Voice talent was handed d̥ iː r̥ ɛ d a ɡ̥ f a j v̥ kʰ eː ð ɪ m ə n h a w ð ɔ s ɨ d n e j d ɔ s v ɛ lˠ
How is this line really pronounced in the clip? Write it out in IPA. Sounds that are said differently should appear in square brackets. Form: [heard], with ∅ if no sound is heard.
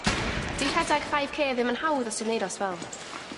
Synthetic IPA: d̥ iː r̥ ɛ d a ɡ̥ f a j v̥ kʰ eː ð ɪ m ə n h a w ð ɔ s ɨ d n e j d ɔ s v ɛ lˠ